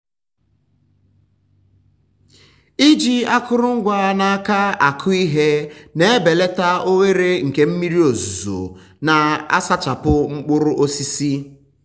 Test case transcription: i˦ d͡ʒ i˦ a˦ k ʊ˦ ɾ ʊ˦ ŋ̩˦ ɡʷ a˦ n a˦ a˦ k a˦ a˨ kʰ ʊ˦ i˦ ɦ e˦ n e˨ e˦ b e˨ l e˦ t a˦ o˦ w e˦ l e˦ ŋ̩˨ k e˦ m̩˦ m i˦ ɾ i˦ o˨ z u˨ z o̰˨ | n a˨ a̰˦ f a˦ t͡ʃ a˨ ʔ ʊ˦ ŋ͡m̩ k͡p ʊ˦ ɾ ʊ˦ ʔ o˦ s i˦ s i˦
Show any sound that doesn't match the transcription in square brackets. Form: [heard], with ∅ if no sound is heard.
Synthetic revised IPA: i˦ d͡ʒ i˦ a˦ k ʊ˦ ɾ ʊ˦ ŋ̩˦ ɡʷ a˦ n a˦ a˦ k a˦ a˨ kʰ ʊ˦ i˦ ɦ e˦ n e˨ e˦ b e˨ l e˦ t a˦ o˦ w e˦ [ɾ] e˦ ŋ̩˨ k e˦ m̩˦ m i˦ ɾ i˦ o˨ z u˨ z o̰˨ | n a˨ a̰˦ [s] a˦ t͡ʃ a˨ [p] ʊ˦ ŋ͡m̩ k͡p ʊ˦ ɾ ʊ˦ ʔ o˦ s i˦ s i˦

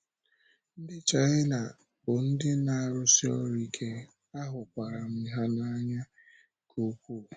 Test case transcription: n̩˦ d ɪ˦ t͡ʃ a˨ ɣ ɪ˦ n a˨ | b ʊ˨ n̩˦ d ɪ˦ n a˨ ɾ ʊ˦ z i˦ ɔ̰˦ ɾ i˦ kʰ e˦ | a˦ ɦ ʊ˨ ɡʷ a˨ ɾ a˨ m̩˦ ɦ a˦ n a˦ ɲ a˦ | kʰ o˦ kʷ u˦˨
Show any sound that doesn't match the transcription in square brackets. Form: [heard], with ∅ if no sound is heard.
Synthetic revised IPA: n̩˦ d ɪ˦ t͡ʃ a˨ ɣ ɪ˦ n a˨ | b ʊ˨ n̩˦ d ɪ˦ n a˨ ɾ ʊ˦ [s] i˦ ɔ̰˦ ɾ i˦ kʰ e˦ | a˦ ɦ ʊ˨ [kʷ] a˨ ɾ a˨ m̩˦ ɦ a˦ n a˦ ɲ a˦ | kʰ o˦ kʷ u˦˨

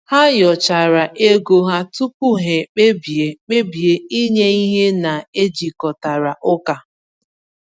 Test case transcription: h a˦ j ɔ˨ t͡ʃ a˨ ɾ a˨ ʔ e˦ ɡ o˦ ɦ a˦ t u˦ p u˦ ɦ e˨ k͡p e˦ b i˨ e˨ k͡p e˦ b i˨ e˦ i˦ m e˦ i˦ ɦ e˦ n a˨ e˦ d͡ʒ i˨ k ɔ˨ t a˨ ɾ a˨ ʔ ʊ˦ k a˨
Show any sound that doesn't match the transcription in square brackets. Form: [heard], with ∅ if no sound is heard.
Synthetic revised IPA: h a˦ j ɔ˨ t͡ʃ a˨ ɾ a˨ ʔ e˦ ɡ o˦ ɦ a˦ t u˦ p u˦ ɦ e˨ k͡p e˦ b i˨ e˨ k͡p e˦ b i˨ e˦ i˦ [ɲ] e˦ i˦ ɦ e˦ n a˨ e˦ d͡ʒ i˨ k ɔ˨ t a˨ ɾ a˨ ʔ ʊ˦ k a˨

